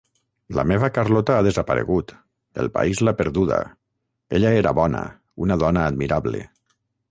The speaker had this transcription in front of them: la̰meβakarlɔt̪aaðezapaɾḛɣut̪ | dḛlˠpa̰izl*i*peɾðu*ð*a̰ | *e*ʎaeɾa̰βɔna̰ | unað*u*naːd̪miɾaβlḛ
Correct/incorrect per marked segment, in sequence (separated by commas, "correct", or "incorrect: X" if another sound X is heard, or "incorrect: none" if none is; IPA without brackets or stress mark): incorrect: a, correct, correct, incorrect: ɔ